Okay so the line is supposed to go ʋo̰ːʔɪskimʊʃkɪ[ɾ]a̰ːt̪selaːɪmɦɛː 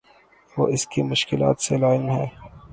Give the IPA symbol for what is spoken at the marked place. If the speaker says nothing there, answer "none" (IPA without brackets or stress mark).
l